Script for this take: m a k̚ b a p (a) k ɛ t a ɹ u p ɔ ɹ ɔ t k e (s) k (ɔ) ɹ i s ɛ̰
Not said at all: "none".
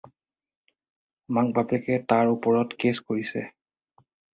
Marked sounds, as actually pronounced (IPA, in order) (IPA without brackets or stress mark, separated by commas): ɛ, s, o